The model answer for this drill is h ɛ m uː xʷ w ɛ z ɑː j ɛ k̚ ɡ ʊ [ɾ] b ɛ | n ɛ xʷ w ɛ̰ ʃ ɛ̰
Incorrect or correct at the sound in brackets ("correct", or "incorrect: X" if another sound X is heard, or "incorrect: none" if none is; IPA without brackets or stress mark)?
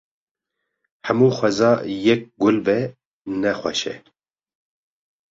incorrect: l